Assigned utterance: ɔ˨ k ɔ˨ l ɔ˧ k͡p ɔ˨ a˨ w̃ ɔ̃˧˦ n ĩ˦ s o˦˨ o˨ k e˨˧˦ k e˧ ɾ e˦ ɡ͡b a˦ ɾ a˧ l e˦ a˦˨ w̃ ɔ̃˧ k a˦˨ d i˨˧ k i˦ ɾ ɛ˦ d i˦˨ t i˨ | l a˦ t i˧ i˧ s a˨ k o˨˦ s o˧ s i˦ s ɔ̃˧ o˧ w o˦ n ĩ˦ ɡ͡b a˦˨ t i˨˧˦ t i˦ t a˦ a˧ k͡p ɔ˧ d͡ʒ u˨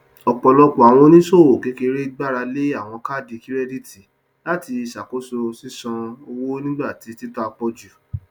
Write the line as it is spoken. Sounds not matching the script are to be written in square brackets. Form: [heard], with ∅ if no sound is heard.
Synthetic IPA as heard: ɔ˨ [k͡p] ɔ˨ l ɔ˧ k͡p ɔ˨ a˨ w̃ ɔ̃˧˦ n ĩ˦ s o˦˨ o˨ k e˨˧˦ k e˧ ɾ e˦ ɡ͡b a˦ ɾ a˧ l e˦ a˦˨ w̃ ɔ̃˧ k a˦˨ d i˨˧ k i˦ ɾ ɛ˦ d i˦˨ t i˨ | l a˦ t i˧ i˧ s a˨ k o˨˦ s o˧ s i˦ s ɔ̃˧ o˧ w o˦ n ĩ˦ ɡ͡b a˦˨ t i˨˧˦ t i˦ t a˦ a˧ k͡p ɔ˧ d͡ʒ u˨